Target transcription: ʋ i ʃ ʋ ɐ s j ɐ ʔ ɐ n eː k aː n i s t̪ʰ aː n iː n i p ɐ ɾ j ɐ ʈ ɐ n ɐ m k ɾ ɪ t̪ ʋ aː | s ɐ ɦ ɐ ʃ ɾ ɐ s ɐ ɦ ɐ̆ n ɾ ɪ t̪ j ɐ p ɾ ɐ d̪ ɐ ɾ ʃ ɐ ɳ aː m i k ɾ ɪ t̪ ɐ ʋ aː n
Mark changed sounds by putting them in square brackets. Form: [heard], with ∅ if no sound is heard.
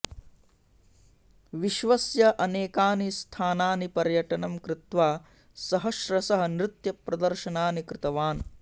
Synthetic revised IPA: ʋ i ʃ ʋ ɐ s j ɐ ʔ ɐ n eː k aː n i s t̪ʰ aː n [aː] n i p ɐ ɾ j ɐ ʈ ɐ n ɐ m k ɾ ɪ t̪ ʋ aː | s ɐ ɦ ɐ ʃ ɾ ɐ s ɐ ɦ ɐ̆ n ɾ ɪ t̪ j ɐ p ɾ ɐ d̪ ɐ ɾ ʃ ɐ [n] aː [n] i k ɾ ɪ t̪ ɐ ʋ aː n